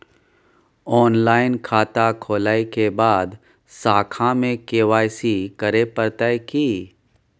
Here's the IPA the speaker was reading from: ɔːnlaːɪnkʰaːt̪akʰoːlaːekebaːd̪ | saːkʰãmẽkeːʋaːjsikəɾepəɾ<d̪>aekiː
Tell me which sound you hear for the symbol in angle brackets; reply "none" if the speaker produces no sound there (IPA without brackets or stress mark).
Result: t̪